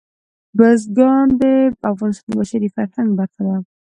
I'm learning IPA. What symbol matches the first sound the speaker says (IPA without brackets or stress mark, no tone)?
b